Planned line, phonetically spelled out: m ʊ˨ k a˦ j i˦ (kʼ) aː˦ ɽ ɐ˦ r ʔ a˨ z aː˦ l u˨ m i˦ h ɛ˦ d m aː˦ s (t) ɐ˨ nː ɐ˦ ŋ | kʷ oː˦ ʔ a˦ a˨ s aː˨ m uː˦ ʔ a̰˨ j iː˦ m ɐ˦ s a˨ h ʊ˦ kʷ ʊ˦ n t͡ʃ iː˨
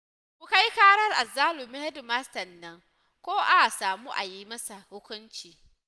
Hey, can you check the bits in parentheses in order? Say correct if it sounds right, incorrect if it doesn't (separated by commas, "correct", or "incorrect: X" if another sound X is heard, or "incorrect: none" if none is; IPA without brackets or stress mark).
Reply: incorrect: k, correct